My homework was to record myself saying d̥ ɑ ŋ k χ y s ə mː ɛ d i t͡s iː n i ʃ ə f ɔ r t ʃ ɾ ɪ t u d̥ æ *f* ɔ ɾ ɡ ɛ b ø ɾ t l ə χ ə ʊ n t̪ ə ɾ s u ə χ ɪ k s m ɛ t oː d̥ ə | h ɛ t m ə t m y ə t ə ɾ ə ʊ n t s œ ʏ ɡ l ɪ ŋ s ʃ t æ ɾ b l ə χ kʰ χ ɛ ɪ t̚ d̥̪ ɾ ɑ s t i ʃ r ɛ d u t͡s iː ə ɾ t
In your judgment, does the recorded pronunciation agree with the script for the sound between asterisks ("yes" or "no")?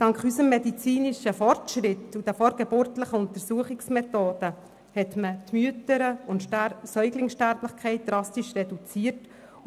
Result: yes